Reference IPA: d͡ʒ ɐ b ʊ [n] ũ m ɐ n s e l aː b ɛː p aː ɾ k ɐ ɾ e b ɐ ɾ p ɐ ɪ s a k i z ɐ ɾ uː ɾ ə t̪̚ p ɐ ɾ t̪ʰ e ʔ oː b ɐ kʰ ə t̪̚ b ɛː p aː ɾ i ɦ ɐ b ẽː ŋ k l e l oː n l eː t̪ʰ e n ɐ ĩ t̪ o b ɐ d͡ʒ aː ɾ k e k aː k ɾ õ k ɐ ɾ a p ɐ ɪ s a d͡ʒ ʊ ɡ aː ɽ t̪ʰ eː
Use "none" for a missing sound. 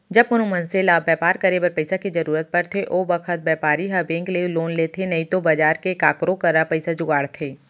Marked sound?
n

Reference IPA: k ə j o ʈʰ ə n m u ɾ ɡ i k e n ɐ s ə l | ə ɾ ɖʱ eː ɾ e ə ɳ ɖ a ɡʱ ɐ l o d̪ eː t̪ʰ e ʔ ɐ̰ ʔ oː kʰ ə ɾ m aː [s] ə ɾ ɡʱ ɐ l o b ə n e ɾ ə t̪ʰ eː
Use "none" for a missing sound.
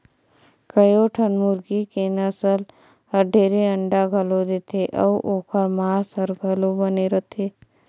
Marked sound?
s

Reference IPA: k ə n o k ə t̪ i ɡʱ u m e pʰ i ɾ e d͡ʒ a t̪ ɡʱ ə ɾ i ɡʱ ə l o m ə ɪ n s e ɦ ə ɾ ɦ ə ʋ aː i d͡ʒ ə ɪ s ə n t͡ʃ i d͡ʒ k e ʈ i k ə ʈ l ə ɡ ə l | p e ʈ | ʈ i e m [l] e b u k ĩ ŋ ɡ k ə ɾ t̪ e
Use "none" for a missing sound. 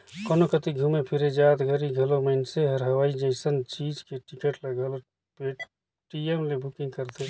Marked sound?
l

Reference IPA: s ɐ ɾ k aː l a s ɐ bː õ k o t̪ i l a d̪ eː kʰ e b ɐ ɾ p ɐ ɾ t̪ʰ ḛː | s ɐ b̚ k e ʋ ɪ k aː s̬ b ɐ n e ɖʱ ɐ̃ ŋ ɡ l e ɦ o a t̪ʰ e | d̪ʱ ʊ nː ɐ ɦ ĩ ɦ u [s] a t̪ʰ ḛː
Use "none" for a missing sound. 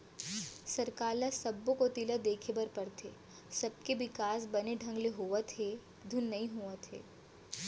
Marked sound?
none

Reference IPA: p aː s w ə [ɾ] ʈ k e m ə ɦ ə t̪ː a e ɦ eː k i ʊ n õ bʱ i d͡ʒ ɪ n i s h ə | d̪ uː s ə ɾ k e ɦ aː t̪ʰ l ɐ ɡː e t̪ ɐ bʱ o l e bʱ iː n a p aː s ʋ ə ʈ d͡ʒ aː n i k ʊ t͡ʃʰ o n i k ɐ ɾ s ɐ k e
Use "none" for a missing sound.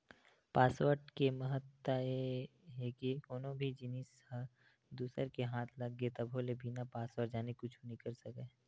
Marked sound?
ɾ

